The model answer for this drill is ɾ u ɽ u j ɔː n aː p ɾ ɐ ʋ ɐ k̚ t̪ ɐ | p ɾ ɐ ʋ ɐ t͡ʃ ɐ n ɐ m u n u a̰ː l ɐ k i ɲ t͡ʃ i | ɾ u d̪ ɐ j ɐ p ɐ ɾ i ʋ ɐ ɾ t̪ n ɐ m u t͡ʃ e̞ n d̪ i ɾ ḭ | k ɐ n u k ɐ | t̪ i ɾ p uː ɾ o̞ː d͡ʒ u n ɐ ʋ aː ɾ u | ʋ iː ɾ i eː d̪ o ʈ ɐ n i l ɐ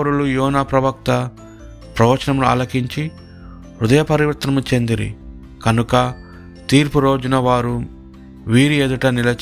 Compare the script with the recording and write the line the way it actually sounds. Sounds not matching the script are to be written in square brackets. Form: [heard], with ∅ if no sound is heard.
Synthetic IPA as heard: ɾ u [l] u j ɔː n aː p ɾ ɐ ʋ ɐ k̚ t̪ ɐ | p ɾ ɐ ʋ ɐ t͡ʃ ɐ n ɐ m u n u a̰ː l ɐ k i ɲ t͡ʃ i | ɾ u d̪ ɐ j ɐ p ɐ ɾ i ʋ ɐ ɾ t̪ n ɐ m u t͡ʃ e̞ n d̪ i ɾ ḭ | k ɐ n u k ɐ | t̪ [iː] ɾ p [u] ɾ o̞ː d͡ʒ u n ɐ ʋ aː ɾ u | ʋ iː ɾ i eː d̪ [u] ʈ ɐ n i l ɐ